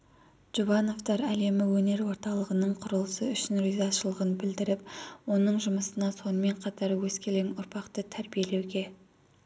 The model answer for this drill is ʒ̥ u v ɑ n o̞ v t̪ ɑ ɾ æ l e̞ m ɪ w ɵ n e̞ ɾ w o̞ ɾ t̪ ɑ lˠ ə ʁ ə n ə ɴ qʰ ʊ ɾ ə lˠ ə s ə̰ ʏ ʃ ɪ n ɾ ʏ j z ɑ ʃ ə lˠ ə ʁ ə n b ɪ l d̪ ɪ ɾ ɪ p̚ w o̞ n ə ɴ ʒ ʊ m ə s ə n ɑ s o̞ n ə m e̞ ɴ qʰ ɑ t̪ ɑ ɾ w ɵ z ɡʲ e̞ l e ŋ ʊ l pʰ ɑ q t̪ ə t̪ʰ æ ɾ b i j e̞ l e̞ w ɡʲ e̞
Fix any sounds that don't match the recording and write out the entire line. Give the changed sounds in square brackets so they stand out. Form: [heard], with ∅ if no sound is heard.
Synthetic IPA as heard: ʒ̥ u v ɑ n o̞ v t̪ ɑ ɾ æ l e̞ m ɪ w ɵ n e̞ ɾ w o̞ ɾ t̪ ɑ lˠ ə ʁ ə n ə ɴ qʰ ʊ ɾ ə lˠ ə s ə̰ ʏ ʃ ɪ n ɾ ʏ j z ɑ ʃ ə lˠ ə ʁ ə n b ɪ l d̪ ɪ ɾ ɪ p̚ w o̞ n ə ɴ ʒ ʊ m ə s ə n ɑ s o̞ n ə m e̞ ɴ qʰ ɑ t̪ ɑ ɾ w ɵ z [kʲ] e̞ l e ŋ ʊ [ɾ] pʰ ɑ q t̪ ə t̪ʰ æ ɾ b i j e̞ l e̞ w ɡʲ e̞